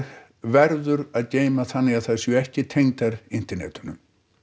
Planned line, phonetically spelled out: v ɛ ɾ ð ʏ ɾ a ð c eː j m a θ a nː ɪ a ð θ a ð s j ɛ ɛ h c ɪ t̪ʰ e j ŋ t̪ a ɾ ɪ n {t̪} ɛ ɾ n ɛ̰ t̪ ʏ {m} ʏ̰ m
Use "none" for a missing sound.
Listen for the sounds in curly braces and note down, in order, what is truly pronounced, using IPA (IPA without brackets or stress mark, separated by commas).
t̪, n